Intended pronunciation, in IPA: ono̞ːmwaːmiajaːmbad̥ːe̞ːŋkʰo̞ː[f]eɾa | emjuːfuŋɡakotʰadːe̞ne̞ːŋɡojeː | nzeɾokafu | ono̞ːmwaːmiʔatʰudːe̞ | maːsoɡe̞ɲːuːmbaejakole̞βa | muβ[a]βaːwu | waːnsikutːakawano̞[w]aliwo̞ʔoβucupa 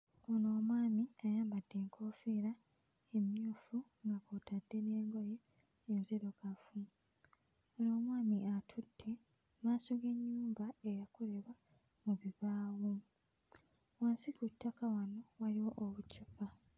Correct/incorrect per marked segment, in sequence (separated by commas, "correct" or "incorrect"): correct, incorrect, correct